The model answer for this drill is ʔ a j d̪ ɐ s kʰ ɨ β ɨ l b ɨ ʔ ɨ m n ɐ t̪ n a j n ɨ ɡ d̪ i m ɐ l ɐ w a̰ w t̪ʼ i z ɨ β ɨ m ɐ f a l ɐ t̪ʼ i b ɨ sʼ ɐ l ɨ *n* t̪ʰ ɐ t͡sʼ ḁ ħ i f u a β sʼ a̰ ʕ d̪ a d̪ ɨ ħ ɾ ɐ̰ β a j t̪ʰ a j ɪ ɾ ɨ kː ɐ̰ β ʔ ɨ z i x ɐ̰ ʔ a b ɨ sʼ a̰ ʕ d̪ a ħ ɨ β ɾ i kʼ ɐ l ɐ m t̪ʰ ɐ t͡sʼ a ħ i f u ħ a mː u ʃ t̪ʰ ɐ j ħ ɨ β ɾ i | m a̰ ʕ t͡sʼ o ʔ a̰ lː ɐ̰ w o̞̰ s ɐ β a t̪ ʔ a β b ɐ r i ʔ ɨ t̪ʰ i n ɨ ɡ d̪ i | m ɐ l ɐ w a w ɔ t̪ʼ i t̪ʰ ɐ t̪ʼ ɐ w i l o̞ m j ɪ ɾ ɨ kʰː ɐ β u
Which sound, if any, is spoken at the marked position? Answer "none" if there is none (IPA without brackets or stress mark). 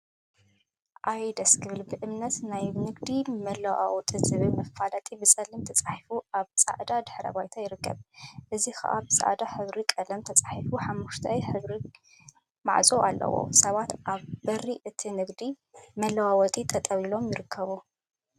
m